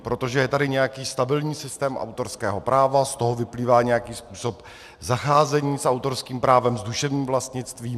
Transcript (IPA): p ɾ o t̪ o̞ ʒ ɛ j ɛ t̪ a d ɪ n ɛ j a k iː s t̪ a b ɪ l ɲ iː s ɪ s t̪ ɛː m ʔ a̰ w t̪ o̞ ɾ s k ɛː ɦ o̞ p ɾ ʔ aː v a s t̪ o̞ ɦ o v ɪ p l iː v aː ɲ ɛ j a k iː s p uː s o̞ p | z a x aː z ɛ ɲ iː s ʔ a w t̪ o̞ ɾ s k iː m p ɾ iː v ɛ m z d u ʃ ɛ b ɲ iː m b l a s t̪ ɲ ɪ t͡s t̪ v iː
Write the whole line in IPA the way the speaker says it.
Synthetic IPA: p ɾ o t̪ o̞ ʒ ɛ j ɛ t̪ a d ɪ ɲ ɛ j a k iː s t̪ a b ɪ l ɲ iː s ɪ s t̪ ɛː m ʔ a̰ w t̪ o̞ ɾ s k ɛː ɦ o̞ p ɾ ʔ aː v a s t̪ o̞ ɦ o v ɪ p l iː v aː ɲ ɛ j a k iː s p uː s o̞ p | z a x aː z ɛ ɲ iː s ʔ a w t̪ o̞ ɾ s k iː m p ɾ aː v ɛ m z d u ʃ ɛ v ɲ iː m v l a s t̪ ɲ ɪ t͡s t̪ v iː